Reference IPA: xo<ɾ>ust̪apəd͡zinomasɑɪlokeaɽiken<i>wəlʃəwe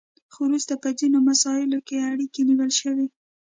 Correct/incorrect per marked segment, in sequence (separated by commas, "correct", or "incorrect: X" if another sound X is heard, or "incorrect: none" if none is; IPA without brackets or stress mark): correct, correct